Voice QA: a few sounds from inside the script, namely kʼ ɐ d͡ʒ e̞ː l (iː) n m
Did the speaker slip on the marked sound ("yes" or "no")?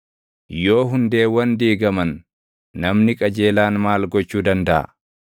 yes